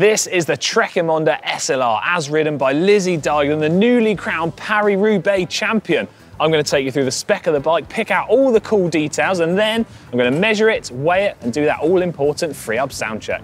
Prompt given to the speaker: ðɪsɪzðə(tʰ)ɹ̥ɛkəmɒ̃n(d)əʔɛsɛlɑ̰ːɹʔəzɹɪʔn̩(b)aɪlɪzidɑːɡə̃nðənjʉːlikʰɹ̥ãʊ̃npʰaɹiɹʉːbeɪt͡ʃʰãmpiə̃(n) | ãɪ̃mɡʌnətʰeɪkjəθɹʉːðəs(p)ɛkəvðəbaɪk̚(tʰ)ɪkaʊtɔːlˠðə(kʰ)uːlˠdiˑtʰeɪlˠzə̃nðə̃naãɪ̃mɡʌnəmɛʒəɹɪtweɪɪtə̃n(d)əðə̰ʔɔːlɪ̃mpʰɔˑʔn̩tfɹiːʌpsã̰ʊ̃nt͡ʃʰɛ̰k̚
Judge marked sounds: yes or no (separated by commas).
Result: yes, yes, yes, yes, yes, no, yes, yes